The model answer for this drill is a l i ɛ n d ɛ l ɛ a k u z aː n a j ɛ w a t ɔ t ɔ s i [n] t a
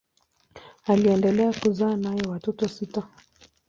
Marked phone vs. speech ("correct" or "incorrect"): incorrect